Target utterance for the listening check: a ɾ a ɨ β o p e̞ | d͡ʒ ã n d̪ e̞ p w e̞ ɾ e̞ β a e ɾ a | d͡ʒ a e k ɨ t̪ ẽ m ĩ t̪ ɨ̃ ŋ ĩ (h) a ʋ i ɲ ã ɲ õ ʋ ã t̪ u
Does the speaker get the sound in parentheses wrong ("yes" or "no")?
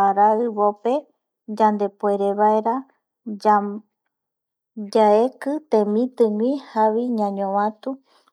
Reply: no